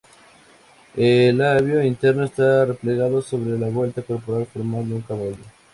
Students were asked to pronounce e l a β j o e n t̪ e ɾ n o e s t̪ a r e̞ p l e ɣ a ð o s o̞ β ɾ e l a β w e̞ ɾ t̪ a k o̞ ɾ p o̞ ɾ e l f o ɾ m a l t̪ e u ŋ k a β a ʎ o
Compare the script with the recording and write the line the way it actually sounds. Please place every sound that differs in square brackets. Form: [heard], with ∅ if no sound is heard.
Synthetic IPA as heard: e l a β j o [i] n t̪ e ɾ n o e s t̪ a r e̞ p l e ɣ a ð o s o̞ β ɾ e l a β w e̞ [l] t̪ a k o̞ ɾ p o̞ ɾ [a] l f o ɾ m a l [d̪] e u ŋ k a β a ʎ o